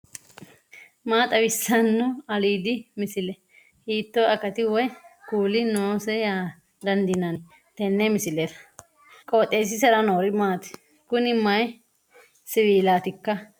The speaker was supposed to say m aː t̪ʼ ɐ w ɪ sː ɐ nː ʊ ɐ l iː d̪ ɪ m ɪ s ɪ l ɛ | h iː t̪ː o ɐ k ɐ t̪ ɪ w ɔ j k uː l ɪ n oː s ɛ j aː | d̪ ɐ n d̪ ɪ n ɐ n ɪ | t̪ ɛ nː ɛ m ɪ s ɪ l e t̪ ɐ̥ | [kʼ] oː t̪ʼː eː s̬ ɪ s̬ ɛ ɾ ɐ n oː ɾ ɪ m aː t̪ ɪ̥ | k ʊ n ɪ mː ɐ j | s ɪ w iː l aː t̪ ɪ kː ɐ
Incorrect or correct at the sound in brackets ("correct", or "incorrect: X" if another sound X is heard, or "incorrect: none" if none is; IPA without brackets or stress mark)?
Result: correct